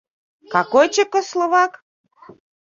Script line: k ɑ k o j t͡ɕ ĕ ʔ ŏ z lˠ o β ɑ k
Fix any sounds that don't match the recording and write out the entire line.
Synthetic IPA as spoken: k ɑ k o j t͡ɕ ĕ k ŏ s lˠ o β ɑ k

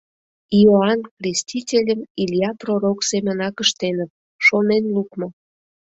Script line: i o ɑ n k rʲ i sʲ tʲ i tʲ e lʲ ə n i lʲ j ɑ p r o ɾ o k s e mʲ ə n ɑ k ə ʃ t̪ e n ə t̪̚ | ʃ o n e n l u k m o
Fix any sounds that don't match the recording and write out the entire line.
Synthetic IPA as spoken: i o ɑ n k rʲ e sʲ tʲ i tʲ e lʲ ə m i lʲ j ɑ p r o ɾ o k s e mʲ ə n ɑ k ə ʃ t̪ e n ə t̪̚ | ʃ o n e n l u k m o

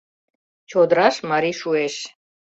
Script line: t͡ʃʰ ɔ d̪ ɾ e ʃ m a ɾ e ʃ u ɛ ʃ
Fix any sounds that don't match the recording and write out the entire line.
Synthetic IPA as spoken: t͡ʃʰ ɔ d̪ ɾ a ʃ m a ɾ i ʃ u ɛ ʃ

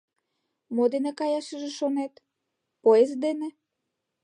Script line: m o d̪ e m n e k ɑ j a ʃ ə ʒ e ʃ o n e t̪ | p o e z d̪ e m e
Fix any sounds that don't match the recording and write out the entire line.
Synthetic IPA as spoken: m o d̪ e n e k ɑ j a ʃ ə ʒ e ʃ o n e t̪ | p o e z d̪ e n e

